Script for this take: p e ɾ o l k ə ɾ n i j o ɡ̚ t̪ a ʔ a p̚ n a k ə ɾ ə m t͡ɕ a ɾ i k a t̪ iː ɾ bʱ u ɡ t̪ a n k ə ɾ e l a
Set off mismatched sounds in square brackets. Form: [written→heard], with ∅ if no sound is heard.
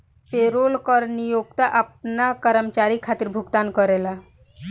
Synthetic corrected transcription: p e ɾ o l k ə ɾ n i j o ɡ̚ t̪ a ʔ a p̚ n a k ə ɾ ə m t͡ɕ a ɾ i [k→kʰ] a t̪ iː ɾ bʱ u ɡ t̪ a n k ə ɾ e l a